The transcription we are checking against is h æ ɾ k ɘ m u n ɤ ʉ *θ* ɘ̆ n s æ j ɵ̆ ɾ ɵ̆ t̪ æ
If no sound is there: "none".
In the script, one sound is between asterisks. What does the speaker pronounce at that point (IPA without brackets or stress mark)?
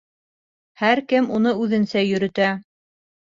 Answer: ð